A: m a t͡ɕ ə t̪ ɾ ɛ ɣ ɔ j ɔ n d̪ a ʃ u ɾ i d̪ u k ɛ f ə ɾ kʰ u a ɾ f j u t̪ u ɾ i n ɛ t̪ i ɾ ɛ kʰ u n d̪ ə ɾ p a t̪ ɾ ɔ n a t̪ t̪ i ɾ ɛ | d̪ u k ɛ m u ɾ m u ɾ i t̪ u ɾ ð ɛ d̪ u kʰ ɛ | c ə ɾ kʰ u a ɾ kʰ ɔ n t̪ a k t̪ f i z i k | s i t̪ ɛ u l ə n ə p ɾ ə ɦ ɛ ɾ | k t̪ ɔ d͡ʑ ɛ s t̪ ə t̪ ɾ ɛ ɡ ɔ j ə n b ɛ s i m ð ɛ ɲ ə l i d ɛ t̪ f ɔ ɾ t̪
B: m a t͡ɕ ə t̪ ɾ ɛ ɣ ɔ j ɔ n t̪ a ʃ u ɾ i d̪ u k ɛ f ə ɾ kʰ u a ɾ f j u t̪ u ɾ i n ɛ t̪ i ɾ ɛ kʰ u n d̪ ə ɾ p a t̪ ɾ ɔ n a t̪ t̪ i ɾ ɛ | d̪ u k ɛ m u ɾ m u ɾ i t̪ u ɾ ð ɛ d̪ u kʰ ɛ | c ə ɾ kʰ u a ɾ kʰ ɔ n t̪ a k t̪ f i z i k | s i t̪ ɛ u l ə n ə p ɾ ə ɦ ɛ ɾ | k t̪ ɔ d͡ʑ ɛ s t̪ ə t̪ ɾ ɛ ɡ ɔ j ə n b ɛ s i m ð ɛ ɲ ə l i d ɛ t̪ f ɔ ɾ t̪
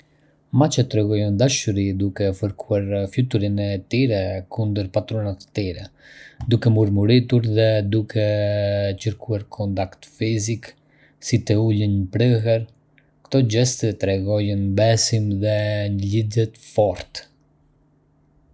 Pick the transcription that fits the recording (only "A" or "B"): A